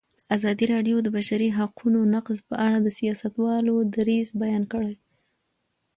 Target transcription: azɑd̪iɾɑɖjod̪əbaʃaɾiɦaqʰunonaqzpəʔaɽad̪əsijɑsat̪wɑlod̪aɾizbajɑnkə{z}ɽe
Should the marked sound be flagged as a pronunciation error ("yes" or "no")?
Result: yes